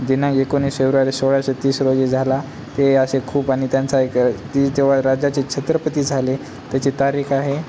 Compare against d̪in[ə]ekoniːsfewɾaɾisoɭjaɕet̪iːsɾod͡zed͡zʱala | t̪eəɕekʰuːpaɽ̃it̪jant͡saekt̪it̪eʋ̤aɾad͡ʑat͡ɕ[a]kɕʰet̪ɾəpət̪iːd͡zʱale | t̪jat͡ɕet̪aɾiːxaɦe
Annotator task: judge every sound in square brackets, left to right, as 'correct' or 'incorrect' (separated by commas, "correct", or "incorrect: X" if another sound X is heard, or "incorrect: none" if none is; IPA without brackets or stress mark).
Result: incorrect: a, incorrect: e